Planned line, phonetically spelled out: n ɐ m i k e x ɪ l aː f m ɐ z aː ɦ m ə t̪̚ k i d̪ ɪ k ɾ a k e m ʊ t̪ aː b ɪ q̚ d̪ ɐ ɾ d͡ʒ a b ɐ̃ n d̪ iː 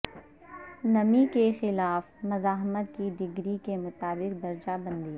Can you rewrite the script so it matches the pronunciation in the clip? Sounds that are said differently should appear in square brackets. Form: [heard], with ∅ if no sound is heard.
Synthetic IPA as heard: n ɐ m i k e x ɪ l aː f m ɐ z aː ɦ m ə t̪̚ k i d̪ ɪ [ɡ] ɾ [i] k e m ʊ t̪ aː b ɪ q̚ d̪ ɐ ɾ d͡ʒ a b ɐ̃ n d̪ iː